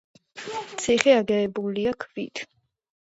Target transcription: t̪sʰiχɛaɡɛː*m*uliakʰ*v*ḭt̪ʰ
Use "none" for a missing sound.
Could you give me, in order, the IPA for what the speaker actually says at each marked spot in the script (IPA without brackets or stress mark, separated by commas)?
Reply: b, v